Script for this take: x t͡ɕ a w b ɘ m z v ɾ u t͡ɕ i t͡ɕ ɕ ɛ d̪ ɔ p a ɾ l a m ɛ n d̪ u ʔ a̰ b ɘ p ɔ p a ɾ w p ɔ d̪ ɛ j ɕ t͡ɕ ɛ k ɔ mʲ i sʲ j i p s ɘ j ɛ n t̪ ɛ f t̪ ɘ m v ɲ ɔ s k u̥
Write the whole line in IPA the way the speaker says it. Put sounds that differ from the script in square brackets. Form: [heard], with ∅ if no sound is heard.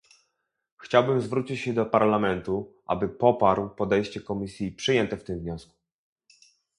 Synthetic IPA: x t͡ɕ a w b ɘ m z v ɾ u t͡ɕ i t͡ɕ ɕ ɛ d̪ ɔ p a ɾ l a m ɛ n [t̪] u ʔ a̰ b ɘ p ɔ p a ɾ w p ɔ d̪ ɛ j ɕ t͡ɕ ɛ k ɔ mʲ i sʲ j i p [ʂ] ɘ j ɛ n t̪ ɛ f t̪ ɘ m v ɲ ɔ s k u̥